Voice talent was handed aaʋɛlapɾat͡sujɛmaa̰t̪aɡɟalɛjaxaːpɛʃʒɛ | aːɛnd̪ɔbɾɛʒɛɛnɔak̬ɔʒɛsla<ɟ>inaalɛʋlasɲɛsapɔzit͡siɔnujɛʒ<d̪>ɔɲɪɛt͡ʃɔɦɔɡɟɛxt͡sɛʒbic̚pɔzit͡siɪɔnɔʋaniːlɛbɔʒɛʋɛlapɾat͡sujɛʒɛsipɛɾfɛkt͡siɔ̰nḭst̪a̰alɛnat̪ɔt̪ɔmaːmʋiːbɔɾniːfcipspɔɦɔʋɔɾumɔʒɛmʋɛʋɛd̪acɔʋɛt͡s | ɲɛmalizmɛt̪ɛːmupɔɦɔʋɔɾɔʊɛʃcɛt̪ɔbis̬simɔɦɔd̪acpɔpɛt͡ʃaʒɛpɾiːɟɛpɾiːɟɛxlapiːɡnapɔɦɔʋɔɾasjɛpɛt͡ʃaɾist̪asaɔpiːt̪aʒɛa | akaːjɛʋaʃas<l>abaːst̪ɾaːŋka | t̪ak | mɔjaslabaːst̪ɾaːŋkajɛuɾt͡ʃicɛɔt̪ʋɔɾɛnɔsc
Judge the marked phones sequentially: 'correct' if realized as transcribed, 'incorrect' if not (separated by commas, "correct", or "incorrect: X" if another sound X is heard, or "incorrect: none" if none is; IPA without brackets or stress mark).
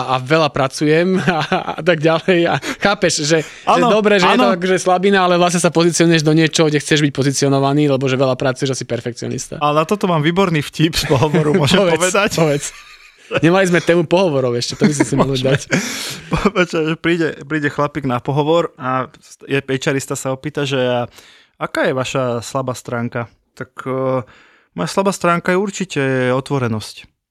incorrect: b, correct, correct